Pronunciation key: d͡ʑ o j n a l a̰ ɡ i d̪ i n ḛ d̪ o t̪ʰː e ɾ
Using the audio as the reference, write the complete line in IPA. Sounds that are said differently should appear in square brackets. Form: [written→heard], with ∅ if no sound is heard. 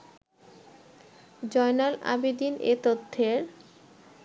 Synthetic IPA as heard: d͡ʑ [o→ɔ] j n a l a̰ [ɡ→b] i d̪ i n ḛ [d̪→t̪] o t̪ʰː e ɾ